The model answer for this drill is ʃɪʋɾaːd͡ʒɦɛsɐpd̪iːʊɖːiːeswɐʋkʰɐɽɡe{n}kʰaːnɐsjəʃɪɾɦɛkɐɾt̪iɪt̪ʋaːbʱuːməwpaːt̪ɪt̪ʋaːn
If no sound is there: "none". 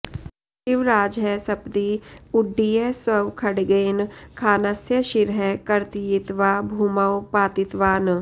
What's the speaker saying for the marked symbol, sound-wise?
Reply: n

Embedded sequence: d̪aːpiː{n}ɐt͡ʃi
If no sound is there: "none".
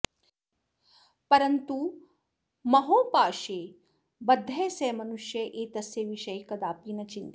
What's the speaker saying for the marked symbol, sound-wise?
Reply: n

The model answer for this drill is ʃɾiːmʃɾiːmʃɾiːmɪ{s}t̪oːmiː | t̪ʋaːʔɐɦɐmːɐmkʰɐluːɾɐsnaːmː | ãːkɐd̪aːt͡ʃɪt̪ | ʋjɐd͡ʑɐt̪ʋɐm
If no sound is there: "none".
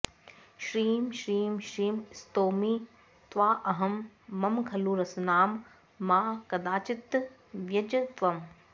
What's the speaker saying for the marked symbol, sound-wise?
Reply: s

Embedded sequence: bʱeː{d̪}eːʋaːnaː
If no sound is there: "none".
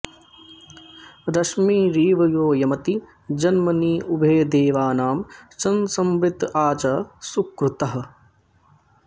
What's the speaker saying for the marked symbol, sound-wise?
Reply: d̪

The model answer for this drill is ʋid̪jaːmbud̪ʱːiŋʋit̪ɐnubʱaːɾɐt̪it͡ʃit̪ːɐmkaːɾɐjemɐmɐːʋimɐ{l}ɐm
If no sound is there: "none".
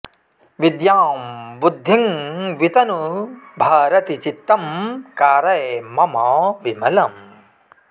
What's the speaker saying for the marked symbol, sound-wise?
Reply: l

